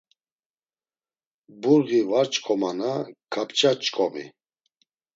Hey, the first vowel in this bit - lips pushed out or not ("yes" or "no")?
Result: yes